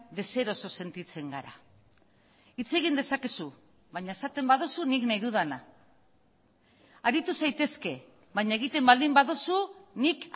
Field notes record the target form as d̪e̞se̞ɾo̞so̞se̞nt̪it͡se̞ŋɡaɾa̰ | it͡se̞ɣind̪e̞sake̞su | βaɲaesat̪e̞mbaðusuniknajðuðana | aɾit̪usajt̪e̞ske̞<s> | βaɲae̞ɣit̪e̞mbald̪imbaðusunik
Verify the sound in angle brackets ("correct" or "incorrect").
incorrect